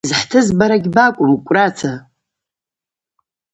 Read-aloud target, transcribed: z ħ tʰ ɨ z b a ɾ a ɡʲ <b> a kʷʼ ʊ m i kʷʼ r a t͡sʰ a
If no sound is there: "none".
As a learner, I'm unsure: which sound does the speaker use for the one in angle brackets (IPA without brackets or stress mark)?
b